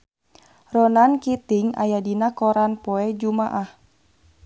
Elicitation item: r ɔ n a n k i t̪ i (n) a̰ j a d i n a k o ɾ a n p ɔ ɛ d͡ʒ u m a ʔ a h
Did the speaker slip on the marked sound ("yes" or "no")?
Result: yes